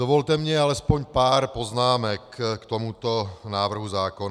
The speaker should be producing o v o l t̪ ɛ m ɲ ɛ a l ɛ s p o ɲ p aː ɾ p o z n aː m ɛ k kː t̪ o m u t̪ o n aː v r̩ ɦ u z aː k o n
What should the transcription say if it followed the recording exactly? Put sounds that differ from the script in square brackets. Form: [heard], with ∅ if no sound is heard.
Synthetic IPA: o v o l t̪ ɛ m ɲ ɛ a l ɛ s p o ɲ p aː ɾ p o z n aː m ɛ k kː t̪ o m u t̪ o n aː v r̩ ɦ u z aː k o n